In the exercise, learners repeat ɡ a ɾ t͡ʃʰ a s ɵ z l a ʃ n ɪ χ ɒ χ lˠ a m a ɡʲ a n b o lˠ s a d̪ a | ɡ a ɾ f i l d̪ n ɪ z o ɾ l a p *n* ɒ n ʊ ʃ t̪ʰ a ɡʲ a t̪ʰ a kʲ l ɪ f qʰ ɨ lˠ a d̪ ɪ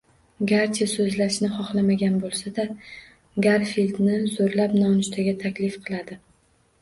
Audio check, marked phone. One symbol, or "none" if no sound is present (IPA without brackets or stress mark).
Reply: n